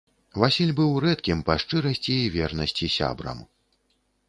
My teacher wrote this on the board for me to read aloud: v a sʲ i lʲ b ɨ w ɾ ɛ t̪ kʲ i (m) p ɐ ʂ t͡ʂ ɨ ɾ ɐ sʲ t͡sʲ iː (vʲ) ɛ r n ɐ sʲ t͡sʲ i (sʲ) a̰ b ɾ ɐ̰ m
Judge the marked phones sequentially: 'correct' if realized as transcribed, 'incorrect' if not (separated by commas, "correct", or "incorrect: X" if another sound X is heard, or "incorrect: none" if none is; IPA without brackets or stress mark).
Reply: correct, correct, correct